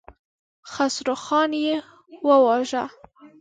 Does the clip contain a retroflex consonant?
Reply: no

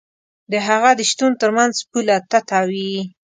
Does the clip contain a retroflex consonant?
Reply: no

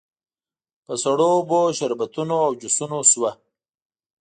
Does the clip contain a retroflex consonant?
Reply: yes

